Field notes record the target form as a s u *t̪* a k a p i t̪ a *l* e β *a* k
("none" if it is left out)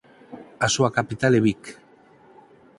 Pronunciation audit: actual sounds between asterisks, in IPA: none, l, i

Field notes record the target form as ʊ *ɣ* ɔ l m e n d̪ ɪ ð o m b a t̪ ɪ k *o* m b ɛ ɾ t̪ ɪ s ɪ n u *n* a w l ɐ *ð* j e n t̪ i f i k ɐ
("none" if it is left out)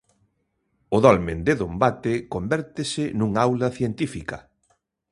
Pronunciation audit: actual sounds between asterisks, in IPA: ð, o, ŋ, θ

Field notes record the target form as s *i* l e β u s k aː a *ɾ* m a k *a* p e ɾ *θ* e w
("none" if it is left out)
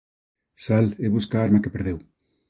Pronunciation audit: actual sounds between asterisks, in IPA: a, ɾ, e, ð

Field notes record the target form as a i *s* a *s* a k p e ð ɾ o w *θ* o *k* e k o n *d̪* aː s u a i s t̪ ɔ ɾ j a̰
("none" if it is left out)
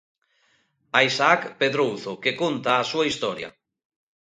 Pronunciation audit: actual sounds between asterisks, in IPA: s, none, θ, k, t̪

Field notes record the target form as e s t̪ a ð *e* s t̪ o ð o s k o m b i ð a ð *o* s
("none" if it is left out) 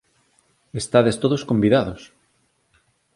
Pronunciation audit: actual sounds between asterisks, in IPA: e, o

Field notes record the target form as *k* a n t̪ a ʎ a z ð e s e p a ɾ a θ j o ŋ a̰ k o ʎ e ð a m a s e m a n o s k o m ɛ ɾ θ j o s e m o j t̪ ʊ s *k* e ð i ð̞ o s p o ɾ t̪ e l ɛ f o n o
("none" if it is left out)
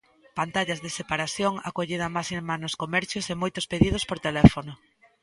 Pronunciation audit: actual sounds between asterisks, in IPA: p, p

